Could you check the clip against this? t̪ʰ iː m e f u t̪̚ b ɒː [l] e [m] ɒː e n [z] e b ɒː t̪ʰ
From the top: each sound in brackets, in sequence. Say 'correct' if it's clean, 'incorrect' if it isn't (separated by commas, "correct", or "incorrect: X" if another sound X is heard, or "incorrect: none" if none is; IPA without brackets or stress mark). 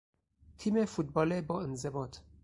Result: correct, incorrect: b, correct